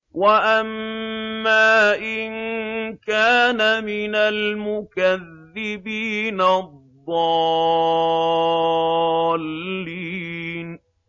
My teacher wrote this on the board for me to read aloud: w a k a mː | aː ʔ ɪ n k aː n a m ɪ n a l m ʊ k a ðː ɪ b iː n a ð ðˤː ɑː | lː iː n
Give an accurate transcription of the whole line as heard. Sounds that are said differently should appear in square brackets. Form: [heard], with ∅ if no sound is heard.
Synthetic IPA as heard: w a [ʔ] a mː | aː ʔ ɪ n k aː n a m ɪ n a l m ʊ k a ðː ɪ b iː n a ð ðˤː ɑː | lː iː n